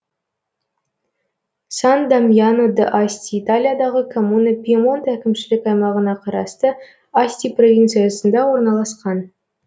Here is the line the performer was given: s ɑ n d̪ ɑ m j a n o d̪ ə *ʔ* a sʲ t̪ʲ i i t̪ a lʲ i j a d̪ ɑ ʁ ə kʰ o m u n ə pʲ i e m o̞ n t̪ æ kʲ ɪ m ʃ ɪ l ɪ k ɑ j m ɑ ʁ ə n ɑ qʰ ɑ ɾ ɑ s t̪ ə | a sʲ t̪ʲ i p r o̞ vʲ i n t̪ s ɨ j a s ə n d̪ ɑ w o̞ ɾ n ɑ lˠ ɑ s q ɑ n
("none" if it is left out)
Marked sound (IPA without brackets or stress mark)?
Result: ʔ